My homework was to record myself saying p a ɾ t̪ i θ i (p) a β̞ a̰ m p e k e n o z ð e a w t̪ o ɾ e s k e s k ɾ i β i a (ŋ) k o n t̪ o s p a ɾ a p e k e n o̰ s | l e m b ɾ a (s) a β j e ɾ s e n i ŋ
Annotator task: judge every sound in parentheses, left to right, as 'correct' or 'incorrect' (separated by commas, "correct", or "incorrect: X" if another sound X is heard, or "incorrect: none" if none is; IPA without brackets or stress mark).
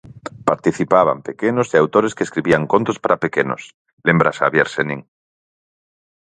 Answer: correct, correct, correct